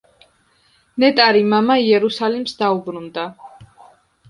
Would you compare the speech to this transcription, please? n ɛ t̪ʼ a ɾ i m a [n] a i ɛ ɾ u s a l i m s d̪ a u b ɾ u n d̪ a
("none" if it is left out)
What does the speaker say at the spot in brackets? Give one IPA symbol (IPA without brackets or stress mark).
m